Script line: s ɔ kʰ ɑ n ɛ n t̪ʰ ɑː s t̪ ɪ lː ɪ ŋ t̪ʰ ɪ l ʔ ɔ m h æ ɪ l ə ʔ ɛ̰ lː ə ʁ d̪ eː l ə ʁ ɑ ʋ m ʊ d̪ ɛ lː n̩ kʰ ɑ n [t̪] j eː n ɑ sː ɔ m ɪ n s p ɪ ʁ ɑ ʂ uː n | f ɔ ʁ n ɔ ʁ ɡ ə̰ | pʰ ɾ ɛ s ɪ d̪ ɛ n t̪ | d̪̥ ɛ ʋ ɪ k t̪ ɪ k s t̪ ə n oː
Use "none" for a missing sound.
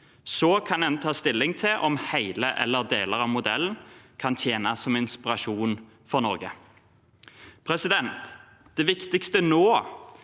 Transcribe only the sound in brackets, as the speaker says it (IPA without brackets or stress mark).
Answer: t̪ʰ